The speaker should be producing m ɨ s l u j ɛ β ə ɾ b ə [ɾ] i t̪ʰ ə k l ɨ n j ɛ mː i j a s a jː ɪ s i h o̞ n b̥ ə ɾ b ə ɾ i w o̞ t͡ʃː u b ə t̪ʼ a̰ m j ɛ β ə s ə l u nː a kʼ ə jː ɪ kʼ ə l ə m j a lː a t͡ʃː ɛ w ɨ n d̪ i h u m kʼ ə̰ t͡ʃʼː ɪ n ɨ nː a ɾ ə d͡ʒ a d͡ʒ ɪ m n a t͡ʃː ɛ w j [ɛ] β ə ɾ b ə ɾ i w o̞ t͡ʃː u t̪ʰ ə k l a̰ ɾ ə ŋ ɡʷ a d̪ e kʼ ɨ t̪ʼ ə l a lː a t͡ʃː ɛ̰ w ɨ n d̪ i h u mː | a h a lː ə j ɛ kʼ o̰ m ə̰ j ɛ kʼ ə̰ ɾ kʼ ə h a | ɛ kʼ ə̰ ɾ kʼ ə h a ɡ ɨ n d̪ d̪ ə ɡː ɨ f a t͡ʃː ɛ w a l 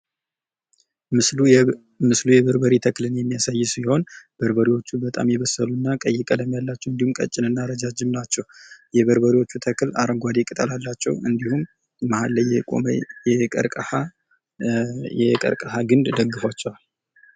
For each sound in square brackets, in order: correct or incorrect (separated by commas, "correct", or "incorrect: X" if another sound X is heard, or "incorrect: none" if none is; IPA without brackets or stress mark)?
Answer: correct, correct